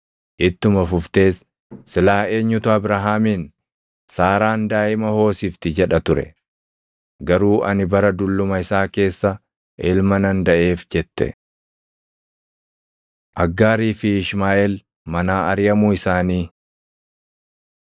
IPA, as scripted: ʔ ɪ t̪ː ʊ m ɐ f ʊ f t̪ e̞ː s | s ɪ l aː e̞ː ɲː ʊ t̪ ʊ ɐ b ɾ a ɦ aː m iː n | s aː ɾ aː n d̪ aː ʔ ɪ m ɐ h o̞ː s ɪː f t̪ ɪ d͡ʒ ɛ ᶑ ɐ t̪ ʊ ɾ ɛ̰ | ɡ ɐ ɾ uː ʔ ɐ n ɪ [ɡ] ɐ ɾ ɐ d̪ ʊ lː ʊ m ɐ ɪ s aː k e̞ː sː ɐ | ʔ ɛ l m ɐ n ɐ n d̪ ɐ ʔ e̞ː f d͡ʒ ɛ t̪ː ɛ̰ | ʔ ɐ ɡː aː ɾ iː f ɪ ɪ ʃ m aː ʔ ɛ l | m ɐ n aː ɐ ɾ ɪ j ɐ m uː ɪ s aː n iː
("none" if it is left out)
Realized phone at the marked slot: b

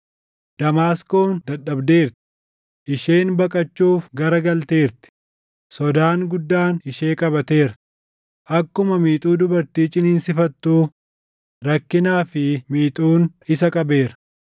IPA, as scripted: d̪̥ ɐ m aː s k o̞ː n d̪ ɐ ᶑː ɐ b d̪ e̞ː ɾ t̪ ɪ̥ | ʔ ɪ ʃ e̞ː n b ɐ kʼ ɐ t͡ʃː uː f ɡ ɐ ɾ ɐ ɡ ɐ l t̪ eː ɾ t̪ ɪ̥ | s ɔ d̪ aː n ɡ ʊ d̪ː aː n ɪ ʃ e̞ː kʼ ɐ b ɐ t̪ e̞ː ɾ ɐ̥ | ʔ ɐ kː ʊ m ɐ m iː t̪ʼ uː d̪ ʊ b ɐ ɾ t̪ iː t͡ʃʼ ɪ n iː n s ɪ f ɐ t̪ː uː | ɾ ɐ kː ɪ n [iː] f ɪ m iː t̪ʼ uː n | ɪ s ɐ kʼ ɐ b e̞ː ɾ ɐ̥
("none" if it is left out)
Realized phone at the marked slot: aː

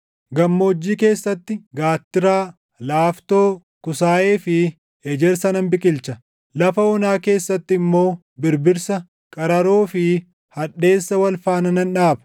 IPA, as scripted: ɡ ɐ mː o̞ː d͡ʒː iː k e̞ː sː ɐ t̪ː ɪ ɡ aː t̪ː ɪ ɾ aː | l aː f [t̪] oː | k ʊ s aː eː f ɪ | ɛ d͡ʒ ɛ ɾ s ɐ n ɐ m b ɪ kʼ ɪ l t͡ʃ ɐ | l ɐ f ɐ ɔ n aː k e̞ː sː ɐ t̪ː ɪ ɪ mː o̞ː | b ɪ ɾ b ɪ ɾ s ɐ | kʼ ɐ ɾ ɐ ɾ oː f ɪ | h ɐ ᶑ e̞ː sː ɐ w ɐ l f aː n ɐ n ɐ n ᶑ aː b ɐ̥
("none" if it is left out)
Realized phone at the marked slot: t̪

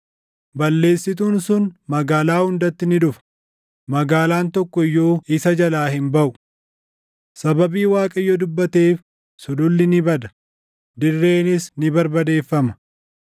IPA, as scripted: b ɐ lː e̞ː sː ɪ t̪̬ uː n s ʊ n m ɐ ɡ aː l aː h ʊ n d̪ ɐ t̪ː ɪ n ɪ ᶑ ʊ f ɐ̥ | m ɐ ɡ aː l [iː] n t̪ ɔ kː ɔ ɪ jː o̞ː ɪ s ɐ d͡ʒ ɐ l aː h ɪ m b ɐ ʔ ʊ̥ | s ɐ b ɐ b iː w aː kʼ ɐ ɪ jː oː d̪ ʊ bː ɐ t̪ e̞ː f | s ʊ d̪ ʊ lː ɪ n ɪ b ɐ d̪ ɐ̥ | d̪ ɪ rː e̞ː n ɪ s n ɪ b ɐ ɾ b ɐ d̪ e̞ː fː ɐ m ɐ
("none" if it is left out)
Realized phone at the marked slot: aː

